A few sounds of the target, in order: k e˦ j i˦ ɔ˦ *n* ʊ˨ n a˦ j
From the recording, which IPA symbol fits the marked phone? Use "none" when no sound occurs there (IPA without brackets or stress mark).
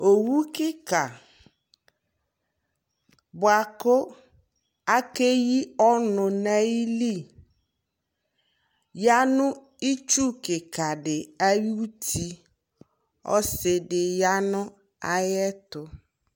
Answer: n